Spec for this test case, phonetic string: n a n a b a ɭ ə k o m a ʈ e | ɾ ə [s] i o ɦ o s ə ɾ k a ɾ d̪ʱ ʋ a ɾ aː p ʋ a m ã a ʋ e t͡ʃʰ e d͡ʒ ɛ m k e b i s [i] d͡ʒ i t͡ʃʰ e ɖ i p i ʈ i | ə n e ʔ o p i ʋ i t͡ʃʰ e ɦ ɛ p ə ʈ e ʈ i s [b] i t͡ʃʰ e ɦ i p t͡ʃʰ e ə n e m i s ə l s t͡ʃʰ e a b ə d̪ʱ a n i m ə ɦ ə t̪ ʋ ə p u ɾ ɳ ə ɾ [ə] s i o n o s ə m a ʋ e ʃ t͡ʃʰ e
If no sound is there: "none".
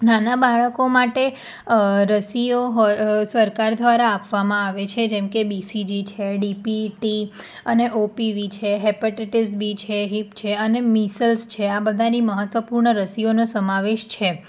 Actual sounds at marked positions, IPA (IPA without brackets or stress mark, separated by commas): s, i, b, ə